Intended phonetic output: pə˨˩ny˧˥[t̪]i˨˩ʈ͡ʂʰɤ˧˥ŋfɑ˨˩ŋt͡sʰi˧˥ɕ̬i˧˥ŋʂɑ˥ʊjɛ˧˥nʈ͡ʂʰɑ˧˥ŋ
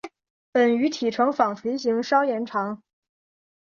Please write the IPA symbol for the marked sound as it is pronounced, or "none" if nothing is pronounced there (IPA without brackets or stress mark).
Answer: t̪ʰ